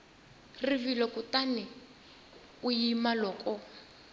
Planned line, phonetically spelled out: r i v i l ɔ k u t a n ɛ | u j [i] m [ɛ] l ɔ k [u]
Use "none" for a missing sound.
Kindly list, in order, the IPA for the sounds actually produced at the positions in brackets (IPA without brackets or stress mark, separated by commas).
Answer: i, a, ɔ